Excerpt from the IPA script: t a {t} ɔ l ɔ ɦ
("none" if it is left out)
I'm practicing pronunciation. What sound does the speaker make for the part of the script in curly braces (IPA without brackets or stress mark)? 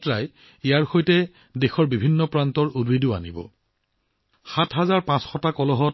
k